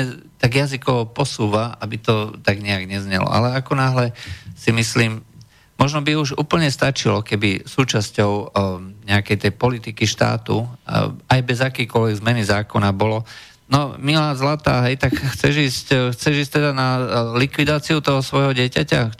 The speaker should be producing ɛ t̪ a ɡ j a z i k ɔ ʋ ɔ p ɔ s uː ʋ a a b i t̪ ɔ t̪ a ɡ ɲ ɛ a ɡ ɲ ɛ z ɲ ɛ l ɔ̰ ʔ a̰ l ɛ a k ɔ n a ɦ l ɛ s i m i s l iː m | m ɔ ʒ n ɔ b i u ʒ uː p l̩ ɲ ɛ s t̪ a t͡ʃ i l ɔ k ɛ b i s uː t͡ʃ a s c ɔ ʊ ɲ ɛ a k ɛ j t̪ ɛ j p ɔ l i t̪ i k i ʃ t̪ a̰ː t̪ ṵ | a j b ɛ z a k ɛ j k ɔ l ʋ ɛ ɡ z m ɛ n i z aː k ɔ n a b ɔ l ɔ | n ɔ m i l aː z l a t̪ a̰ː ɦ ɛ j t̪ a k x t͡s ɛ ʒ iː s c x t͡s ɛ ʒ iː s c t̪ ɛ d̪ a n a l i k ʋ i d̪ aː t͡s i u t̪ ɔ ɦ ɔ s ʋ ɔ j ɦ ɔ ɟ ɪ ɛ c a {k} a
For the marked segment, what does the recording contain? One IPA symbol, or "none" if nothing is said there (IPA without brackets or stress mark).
c